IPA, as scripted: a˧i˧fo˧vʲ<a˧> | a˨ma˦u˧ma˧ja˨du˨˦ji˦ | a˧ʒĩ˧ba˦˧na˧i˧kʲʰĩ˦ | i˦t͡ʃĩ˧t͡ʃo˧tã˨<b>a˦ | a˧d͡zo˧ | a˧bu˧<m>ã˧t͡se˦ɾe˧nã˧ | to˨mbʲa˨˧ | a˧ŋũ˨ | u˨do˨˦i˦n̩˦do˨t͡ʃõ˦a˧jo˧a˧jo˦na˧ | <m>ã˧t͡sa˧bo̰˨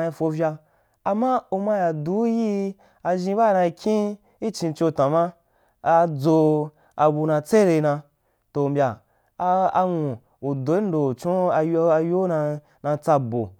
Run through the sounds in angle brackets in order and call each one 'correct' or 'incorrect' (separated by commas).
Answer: correct, incorrect, incorrect, incorrect